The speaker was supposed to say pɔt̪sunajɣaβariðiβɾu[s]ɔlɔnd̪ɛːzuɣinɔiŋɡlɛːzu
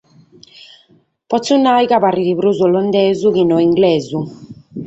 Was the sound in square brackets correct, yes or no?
no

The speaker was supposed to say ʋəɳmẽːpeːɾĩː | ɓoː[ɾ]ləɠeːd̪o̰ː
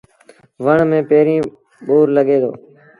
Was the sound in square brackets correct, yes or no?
yes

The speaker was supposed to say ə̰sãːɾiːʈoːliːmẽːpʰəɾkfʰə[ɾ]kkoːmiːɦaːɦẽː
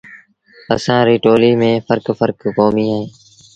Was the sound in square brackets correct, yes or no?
yes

